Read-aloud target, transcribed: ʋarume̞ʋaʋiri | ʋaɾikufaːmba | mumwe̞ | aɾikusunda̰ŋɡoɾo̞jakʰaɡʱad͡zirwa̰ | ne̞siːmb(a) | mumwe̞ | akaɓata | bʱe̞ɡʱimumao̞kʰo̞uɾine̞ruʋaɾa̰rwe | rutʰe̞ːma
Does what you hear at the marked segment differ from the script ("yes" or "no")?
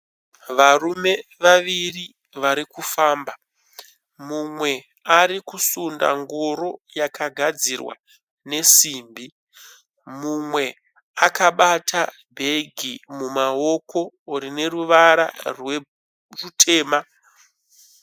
yes